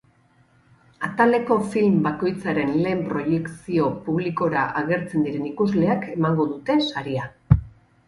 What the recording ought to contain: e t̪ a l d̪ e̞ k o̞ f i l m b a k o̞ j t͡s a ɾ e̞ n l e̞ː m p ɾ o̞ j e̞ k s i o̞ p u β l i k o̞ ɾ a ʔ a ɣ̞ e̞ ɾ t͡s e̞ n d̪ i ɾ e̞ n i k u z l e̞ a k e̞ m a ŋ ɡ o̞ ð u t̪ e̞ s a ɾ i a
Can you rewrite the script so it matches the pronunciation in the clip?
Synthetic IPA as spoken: a t̪ a l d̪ e̞ k o̞ f i l m b a k o̞ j t͡s a ɾ e̞ n l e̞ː m p ɾ o̞ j e̞ k s i o̞ p u β l i k o̞ ɾ a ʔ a ɣ̞ e̞ ɾ t͡s e̞ n d̪ i ɾ e̞ n i k u z l e̞ a k e̞ m a ŋ ɡ o̞ ð u t̪ e̞ s a ɾ i a